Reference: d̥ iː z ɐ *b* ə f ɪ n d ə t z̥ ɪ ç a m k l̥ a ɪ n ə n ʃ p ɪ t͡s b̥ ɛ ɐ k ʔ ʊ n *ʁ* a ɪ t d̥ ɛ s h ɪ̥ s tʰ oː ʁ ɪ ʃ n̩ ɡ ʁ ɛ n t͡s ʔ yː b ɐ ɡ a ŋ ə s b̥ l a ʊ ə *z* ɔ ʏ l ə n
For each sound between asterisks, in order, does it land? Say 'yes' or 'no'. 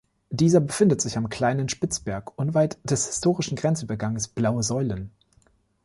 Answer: yes, no, yes

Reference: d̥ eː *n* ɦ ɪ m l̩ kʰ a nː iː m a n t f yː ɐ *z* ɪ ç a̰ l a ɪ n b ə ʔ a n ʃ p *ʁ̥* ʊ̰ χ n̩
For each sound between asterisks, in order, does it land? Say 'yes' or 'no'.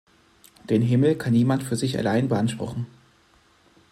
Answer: yes, yes, yes

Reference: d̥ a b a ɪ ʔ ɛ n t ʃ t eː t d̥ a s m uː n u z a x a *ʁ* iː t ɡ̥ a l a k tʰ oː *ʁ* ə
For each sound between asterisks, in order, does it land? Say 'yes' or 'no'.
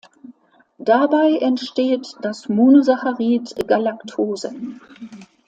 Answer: yes, no

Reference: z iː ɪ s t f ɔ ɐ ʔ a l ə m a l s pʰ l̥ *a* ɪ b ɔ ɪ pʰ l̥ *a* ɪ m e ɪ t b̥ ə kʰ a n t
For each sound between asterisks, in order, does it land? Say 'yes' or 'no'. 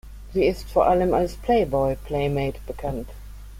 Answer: no, no

